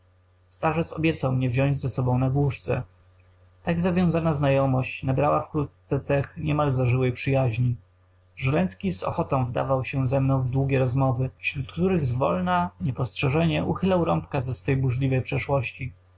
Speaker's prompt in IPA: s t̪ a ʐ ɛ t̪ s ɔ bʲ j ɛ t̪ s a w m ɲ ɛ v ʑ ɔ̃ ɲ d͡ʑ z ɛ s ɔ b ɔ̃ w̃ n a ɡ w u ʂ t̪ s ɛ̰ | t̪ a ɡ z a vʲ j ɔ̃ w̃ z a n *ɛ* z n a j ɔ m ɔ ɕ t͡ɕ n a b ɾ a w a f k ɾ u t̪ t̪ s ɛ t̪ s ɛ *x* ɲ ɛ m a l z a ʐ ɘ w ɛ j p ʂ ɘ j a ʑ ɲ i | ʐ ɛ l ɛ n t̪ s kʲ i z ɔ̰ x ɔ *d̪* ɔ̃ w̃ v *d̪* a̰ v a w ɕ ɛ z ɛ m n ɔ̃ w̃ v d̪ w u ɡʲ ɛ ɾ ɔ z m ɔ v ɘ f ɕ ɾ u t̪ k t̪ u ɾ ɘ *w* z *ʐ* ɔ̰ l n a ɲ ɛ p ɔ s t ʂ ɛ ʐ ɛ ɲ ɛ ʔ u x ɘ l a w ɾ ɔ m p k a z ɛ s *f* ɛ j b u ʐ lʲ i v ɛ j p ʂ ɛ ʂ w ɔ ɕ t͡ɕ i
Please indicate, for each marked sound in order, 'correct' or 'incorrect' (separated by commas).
incorrect, correct, incorrect, correct, incorrect, incorrect, correct